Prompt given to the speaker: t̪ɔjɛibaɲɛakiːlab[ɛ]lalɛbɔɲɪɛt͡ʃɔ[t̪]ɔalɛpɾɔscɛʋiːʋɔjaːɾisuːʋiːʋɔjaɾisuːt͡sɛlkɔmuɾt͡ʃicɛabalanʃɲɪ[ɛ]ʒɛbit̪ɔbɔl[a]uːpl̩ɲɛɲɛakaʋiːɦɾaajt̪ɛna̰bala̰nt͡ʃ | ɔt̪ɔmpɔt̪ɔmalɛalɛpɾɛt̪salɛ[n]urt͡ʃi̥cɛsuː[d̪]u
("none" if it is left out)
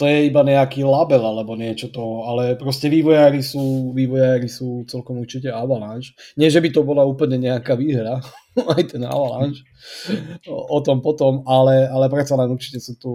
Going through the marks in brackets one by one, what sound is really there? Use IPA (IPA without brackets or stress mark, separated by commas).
ɛ, t̪, ɛ, a, n, t̪